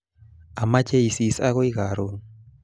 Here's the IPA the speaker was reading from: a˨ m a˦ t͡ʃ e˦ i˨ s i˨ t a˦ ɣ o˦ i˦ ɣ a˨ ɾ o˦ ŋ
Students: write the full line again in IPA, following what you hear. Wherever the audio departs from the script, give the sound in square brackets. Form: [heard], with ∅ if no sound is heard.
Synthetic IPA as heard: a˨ m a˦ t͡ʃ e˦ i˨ s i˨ [s] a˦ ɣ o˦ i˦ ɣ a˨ ɾ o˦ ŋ

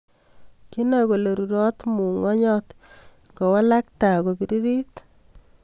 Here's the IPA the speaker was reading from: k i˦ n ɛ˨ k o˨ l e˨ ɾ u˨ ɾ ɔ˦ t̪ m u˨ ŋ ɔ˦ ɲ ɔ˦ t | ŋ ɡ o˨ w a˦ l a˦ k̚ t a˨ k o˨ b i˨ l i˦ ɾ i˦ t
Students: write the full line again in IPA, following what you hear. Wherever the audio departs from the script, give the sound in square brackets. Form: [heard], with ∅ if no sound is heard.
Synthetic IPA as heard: k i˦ n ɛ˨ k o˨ l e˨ ɾ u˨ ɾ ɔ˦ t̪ m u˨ ŋ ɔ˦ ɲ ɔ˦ t | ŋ ɡ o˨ w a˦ l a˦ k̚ t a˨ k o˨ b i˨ [ɾ] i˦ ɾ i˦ t

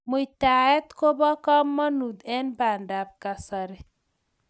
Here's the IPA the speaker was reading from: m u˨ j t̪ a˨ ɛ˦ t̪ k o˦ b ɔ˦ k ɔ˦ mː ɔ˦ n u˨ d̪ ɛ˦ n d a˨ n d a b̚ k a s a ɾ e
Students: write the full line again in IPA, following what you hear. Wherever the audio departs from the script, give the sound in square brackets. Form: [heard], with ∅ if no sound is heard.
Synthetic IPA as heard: m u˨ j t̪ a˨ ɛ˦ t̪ k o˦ b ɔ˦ k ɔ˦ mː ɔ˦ n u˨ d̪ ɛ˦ n [b] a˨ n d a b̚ k a s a ɾ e

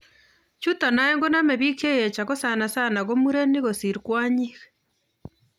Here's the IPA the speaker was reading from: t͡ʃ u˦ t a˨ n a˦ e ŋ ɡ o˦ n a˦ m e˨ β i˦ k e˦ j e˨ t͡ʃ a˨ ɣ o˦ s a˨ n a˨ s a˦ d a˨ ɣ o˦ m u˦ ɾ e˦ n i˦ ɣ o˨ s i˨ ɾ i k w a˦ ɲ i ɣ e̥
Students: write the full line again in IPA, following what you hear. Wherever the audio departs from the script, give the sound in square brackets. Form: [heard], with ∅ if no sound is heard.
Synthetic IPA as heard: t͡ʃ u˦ t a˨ n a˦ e ŋ ɡ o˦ n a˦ m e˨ β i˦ k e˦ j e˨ t͡ʃ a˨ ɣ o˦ s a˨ n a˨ s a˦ [n] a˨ ɣ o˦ m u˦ ɾ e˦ n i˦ ɣ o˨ s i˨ ɾ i k w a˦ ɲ i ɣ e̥

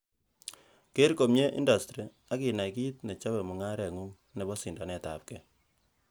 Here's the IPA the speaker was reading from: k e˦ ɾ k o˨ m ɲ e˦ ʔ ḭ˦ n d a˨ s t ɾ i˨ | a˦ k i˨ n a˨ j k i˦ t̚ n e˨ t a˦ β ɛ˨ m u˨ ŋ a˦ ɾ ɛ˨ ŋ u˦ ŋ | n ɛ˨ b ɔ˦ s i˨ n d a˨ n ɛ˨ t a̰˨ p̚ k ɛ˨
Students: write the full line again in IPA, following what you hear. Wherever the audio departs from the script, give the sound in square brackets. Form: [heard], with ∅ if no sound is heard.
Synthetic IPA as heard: k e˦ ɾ k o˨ m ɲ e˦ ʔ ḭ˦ n d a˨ s t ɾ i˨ | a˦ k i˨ n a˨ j k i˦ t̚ n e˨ [t͡ʃ] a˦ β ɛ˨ m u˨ ŋ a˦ ɾ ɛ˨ ŋ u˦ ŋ | n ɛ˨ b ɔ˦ s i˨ n d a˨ n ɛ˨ t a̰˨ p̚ k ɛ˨

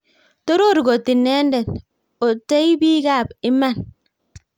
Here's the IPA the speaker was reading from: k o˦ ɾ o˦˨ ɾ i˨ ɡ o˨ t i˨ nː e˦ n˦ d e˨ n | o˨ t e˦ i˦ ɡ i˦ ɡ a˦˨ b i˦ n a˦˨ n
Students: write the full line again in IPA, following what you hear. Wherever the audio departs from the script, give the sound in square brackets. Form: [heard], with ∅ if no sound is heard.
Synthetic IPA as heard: [t] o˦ ɾ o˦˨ ɾ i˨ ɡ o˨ t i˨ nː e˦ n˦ d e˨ n | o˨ t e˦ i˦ [b] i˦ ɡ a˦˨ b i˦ [m] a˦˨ n

